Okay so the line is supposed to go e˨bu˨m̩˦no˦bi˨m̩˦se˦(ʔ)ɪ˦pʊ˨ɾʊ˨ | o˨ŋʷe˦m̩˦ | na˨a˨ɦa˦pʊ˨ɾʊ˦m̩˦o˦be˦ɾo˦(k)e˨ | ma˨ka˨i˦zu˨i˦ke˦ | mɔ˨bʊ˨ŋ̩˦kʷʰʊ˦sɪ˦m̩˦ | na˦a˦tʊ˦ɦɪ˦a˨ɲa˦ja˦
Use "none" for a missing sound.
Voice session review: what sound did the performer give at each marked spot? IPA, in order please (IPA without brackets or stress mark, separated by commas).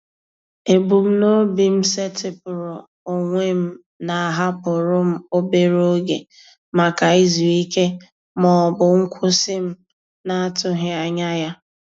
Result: t, ɡ